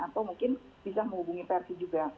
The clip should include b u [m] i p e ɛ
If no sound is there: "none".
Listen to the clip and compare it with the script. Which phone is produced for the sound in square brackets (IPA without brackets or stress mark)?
ŋ